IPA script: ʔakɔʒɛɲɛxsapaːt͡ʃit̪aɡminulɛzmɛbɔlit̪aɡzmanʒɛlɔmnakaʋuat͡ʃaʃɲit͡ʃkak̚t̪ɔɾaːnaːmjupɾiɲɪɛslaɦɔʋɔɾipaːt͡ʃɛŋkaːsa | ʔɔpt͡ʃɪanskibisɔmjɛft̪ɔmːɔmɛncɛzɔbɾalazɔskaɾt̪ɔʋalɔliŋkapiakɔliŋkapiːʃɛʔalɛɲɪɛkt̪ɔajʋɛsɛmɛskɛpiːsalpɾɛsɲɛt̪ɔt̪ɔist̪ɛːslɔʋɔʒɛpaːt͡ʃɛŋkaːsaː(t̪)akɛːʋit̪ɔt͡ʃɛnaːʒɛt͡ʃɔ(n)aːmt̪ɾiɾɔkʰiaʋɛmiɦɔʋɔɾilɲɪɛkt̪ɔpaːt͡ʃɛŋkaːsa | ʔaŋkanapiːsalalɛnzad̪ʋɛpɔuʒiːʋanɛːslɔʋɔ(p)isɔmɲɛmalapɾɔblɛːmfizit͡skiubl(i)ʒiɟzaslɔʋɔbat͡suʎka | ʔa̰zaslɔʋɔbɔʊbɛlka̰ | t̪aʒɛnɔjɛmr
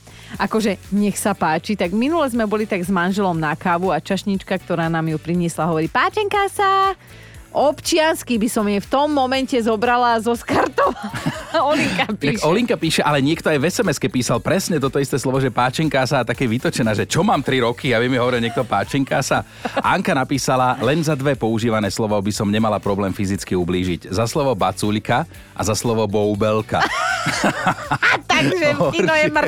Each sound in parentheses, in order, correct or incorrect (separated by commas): correct, incorrect, incorrect, incorrect